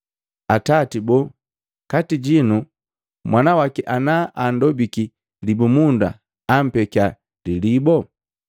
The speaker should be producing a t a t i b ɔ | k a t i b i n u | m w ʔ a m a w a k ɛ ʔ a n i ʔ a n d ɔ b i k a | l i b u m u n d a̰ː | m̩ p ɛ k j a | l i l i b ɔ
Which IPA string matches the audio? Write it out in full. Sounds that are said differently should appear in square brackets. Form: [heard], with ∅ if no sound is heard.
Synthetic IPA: a t a t i b ɔ | k a t i [ɟ] i n u | m w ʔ a [n] a w a k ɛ ʔ a n [a] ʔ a n d ɔ b i k [i] | l i b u m u n d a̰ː | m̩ p ɛ k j a | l i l i b ɔ